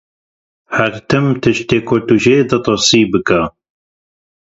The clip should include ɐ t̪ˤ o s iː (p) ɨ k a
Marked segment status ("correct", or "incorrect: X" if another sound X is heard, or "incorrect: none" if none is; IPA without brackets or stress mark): incorrect: b